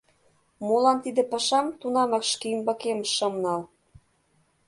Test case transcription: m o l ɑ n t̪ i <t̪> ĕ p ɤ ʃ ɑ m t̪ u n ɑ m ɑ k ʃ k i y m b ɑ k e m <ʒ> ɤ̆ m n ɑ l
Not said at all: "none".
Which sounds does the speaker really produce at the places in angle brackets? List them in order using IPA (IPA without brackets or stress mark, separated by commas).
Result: d̪, ʃ